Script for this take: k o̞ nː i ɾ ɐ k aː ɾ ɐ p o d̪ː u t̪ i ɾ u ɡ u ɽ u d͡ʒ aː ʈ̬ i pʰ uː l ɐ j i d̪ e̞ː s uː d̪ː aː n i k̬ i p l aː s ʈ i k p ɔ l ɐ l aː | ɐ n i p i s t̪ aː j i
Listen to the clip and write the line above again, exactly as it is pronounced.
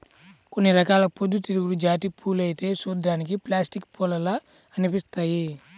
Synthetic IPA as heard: k o̞ nː i ɾ ɐ k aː l ɐ p o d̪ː u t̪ i ɾ u ɡ u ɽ u d͡ʒ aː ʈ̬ i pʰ uː l ɐ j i t̪ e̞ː s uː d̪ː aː n i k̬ i p l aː s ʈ i k p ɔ l ɐ l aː | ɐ n i p i s t̪ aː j i